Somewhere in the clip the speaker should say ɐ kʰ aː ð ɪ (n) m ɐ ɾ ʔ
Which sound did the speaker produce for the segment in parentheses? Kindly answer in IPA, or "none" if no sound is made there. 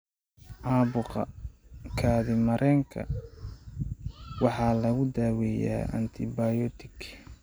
none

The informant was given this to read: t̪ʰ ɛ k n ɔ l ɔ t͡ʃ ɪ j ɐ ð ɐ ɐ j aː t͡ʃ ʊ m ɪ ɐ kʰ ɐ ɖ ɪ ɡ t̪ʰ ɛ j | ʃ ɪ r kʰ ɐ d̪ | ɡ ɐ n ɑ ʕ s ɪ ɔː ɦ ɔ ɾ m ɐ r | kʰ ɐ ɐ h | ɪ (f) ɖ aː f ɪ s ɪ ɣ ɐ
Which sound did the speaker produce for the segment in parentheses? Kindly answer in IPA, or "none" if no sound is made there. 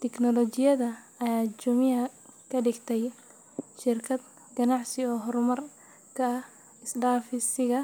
s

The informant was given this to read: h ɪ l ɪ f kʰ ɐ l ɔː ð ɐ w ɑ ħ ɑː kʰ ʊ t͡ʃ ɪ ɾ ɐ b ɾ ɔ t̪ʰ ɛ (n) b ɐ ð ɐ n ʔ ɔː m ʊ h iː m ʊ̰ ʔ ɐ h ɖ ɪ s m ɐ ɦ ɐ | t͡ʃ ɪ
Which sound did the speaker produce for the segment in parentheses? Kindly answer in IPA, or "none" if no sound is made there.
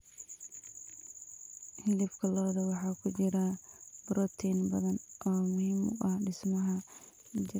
n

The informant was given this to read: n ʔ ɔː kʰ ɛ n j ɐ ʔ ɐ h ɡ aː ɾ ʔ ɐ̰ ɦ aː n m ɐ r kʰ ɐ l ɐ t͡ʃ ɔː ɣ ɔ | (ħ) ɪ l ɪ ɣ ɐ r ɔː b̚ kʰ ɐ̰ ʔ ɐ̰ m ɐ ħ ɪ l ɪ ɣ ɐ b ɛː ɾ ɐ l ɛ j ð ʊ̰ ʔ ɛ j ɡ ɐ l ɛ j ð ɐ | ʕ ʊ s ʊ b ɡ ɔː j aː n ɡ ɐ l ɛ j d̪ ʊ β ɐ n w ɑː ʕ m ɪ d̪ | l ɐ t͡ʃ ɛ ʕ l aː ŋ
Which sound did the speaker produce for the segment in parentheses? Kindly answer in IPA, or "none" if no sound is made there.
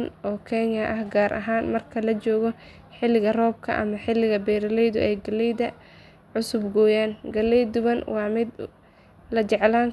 ħ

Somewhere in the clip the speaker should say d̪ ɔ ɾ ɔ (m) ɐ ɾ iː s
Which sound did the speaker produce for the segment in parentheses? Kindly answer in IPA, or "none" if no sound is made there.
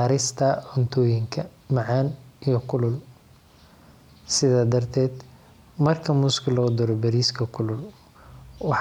b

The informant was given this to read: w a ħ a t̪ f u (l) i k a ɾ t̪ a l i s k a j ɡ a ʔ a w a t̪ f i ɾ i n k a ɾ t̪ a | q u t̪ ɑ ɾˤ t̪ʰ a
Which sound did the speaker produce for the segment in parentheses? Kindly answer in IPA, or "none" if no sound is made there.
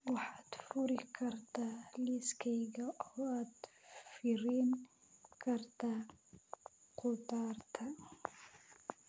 ɾ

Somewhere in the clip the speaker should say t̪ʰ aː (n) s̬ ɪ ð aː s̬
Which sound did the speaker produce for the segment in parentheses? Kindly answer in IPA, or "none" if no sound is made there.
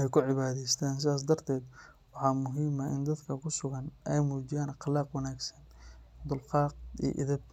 n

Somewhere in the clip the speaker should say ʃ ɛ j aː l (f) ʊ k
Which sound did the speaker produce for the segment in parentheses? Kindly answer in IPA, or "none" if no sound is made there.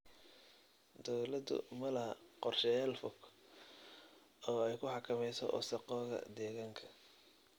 f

